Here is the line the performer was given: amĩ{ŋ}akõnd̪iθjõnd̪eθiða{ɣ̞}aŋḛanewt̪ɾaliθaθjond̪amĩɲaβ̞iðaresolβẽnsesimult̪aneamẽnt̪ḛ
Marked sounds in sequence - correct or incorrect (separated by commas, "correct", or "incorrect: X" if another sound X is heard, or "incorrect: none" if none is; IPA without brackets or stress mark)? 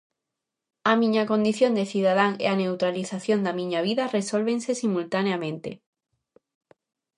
incorrect: ɲ, incorrect: ð̞